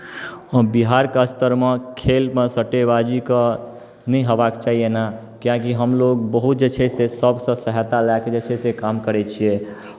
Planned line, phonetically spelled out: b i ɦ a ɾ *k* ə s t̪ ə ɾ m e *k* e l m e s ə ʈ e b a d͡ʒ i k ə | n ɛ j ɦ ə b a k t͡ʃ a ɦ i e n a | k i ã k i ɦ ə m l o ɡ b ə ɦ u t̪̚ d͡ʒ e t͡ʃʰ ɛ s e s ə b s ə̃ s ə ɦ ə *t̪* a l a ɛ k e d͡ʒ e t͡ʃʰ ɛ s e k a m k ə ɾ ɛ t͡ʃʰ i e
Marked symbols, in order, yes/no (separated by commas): yes, no, yes